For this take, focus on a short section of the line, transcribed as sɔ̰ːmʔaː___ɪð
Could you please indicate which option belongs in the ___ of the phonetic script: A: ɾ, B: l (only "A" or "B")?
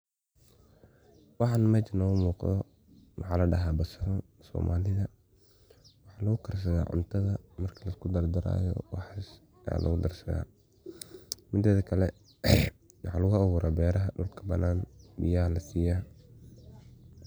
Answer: B